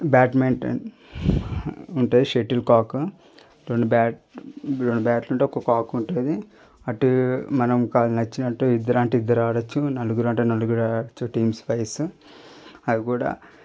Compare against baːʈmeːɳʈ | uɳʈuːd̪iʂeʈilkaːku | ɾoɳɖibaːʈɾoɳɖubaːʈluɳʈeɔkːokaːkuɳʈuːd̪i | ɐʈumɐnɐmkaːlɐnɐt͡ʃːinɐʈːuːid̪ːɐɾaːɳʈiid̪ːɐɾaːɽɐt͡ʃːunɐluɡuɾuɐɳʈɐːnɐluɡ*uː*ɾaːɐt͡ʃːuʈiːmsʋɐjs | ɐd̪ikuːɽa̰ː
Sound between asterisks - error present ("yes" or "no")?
yes